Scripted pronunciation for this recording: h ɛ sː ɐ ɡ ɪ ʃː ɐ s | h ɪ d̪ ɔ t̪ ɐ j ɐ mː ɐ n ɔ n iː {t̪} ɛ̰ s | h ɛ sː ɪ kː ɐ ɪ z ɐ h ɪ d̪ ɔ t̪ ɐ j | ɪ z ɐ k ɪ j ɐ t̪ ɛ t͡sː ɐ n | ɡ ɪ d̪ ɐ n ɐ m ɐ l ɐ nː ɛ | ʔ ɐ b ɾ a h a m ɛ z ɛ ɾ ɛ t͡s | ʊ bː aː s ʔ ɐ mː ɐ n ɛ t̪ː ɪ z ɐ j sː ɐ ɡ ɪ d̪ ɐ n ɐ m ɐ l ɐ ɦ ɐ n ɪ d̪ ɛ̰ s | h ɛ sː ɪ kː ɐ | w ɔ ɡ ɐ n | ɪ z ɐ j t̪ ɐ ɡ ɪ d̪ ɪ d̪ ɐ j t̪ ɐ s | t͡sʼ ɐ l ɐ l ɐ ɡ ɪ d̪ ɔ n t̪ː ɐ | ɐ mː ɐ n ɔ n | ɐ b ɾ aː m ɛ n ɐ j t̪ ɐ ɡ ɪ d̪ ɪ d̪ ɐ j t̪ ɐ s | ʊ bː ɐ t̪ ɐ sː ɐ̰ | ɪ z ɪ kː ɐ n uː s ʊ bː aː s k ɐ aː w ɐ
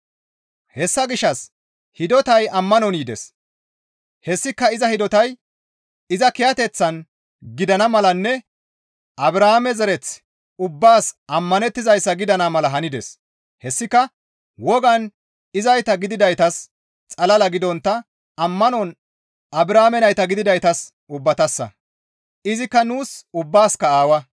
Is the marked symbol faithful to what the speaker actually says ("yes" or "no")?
no